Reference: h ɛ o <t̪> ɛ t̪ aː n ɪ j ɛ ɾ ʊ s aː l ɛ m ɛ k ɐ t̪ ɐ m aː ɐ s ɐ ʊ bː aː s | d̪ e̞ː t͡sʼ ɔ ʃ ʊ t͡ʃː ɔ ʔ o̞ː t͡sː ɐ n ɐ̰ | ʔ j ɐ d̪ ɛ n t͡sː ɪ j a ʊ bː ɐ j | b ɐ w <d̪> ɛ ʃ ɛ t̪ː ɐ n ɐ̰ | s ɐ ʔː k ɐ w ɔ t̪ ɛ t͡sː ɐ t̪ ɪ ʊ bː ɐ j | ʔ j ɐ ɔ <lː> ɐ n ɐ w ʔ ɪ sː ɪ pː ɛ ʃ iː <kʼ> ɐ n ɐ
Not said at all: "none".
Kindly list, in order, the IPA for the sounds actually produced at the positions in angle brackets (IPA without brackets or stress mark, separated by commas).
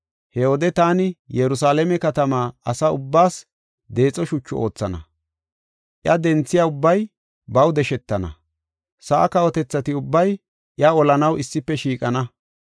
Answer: d̪, d̪, l, kʼ